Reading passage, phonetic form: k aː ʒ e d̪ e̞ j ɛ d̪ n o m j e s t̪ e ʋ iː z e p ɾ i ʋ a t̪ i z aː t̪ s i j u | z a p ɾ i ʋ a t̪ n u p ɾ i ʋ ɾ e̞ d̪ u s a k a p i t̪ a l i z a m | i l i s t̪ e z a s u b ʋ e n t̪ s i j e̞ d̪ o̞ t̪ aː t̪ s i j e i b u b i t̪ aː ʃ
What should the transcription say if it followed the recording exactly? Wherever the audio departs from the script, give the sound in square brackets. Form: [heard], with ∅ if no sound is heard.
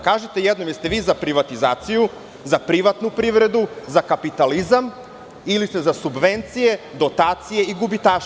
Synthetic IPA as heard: k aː ʒ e [t̪] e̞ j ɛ d̪ n o m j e s t̪ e ʋ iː z [a] p ɾ i ʋ a t̪ i z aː t̪ s i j u | z a p ɾ i ʋ a t̪ n u p ɾ i ʋ ɾ e̞ d̪ u [z] a k a p i t̪ a l i z a m | i l i s t̪ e z a s u b ʋ e n t̪ s i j e̞ d̪ o̞ t̪ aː t̪ s i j e i [ɡ] u b i t̪ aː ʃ

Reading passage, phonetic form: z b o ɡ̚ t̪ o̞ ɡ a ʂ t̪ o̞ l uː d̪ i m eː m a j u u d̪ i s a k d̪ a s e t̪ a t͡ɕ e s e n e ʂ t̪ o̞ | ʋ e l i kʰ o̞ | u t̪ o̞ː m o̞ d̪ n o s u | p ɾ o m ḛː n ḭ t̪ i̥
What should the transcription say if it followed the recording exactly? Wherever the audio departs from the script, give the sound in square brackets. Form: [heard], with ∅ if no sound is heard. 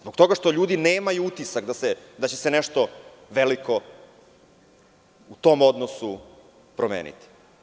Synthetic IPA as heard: z b o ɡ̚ t̪ o̞ ɡ a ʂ t̪ o̞ [ʎ] uː d̪ i [n] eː m a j u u [t̪] i s a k d̪ a s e [d̪] a t͡ɕ e s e n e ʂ t̪ o̞ | ʋ e l i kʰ o̞ | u t̪ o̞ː m o̞ d̪ n o s u | p ɾ o m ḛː n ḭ t̪ i̥

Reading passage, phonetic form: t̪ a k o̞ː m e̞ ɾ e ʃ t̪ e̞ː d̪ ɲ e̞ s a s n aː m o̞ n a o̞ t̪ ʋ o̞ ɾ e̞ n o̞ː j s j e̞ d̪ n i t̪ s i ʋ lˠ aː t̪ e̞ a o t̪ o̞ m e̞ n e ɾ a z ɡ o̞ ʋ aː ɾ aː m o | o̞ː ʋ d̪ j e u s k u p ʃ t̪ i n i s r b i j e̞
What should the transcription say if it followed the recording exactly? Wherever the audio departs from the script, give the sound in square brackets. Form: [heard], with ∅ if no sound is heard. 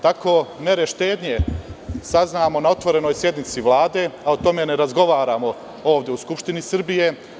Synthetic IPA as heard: t̪ a k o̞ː m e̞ ɾ e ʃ t̪ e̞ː d̪ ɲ e̞ s a [z] n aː m o̞ n a o̞ t̪ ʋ o̞ ɾ e̞ n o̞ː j s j e̞ d̪ n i t̪ s i ʋ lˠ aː [d̪] e̞ a o t̪ o̞ m e̞ n e ɾ a z ɡ o̞ ʋ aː ɾ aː m o | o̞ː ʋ d̪ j e u s k u p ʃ t̪ i n i s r b i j e̞

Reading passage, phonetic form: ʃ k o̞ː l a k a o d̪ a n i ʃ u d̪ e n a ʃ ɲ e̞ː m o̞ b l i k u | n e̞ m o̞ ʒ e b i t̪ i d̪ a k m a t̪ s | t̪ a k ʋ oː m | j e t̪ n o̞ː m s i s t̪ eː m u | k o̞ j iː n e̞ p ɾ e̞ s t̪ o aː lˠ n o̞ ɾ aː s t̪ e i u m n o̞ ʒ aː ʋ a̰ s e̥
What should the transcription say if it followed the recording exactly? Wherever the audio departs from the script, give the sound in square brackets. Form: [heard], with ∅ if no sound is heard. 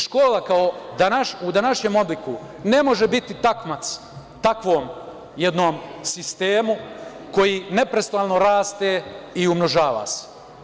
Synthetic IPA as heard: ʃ k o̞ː l a k a o d̪ a n [a] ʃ u d̪ [a] n a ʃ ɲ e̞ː m o̞ b l i k u | n e̞ m o̞ ʒ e b i t̪ i [t̪] a k m a t̪ s | t̪ a k ʋ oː m | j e [d̪] n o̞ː m s i s t̪ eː m u | k o̞ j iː n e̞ p ɾ e̞ s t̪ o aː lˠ n o̞ ɾ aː s t̪ e i u m n o̞ ʒ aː ʋ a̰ s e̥

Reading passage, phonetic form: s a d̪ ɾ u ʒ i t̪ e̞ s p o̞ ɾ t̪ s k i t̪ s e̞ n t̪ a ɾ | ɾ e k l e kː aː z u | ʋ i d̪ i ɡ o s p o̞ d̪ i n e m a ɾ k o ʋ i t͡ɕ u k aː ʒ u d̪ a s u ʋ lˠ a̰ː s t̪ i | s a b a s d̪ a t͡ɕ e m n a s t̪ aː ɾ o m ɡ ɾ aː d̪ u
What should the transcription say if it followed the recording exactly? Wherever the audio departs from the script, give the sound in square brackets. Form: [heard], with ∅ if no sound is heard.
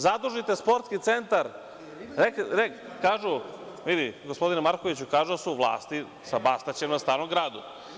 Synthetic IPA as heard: [z] a d̪ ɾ u ʒ i t̪ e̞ s p o̞ ɾ t̪ s k i t̪ s e̞ n t̪ a ɾ | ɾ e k [ɾ] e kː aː [ʒ] u | ʋ i d̪ i ɡ o s p o̞ d̪ i n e m a ɾ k o ʋ i t͡ɕ u k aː ʒ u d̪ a s u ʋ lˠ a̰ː s t̪ i | s a b a s [t̪] a t͡ɕ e m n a s t̪ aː ɾ o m ɡ ɾ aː d̪ u

